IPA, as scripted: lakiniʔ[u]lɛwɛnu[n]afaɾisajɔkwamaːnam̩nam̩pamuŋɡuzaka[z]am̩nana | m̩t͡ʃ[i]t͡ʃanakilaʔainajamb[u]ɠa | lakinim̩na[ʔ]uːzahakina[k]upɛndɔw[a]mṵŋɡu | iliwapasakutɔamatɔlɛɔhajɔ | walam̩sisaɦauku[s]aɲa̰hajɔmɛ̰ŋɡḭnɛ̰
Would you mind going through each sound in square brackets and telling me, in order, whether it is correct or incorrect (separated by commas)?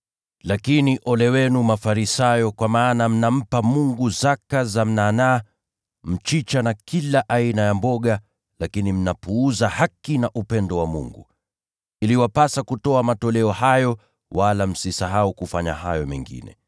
incorrect, incorrect, correct, correct, incorrect, incorrect, incorrect, correct, incorrect